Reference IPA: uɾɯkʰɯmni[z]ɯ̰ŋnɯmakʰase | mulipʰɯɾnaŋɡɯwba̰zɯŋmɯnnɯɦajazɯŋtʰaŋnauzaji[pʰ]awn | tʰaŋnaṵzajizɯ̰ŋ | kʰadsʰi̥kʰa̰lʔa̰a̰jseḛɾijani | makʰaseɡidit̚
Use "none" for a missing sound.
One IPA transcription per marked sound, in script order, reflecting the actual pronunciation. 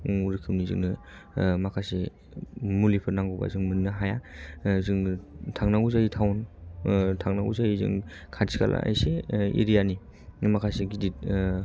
z, tʰ

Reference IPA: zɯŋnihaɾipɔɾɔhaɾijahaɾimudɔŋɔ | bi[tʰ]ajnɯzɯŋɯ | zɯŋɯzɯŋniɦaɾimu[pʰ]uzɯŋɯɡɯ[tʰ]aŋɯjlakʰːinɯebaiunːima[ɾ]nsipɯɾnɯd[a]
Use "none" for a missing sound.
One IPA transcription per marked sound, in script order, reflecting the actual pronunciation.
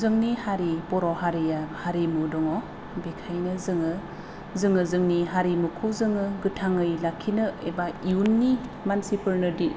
kʰ, kʰ, tʰ, none, i

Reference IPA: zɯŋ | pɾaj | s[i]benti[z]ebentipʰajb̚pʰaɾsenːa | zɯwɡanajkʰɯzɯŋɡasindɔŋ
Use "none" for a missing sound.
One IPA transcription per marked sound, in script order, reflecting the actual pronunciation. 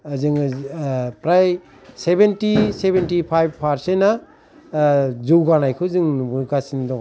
e, s

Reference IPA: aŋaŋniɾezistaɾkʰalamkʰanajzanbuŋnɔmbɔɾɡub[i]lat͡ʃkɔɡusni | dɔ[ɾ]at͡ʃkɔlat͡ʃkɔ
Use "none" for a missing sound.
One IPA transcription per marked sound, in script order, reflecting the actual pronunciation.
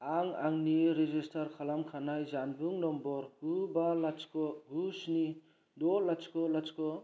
a, l

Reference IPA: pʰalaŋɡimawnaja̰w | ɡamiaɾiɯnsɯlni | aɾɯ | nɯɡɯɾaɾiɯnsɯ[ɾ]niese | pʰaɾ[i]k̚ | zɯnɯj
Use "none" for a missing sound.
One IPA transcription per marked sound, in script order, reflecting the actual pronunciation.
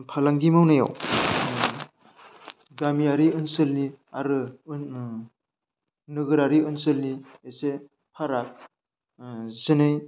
l, a

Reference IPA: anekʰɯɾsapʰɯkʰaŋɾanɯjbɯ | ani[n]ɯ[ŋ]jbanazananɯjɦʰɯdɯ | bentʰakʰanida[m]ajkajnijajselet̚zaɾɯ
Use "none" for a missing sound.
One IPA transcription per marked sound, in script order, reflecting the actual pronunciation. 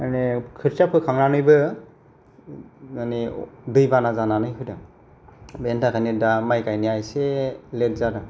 d, none, m

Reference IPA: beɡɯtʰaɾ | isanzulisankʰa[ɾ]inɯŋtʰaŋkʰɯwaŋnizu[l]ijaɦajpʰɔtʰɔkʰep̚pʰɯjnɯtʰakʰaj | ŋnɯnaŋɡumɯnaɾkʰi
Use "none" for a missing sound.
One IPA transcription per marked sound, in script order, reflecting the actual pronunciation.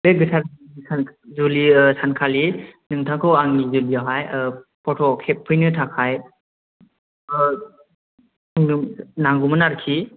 l, l

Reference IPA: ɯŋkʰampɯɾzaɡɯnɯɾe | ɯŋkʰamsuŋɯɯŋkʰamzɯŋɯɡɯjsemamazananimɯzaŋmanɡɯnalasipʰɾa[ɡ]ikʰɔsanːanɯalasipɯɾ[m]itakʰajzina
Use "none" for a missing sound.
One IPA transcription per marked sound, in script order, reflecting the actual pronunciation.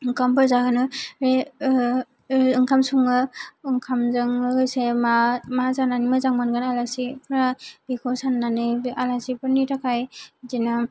b, n

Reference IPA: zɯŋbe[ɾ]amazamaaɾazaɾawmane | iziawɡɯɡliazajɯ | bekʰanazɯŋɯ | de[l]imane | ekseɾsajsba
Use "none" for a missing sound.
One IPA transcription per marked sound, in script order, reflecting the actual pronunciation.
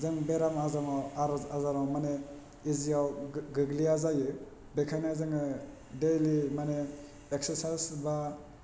ɾ, l

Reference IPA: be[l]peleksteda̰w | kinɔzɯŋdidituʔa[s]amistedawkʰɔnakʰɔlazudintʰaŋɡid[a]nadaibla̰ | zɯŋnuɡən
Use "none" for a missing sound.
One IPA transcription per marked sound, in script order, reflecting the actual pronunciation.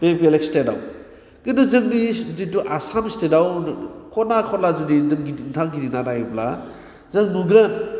none, s, i

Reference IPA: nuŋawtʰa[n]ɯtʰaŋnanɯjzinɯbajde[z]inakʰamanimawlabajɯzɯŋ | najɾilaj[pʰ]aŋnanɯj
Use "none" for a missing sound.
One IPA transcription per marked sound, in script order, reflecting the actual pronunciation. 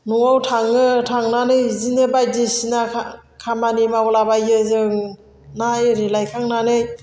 ŋ, s, kʰ

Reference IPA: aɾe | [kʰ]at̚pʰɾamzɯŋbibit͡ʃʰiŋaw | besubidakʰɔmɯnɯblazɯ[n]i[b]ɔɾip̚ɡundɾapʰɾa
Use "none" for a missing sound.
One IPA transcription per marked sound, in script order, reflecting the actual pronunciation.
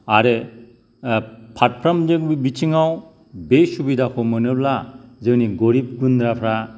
pʰ, n, ɡ

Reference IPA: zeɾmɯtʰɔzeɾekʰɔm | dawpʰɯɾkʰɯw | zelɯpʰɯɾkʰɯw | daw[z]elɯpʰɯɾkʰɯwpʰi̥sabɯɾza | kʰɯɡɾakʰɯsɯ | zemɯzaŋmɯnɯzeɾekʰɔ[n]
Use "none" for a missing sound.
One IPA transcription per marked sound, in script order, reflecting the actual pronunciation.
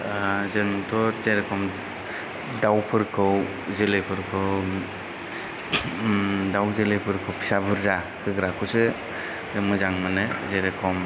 z, m

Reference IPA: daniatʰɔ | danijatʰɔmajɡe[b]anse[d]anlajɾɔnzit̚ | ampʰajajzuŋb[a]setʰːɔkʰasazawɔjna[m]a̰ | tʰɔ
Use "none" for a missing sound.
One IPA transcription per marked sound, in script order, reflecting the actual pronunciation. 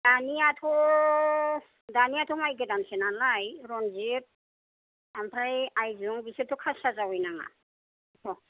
d, n, i, ŋ

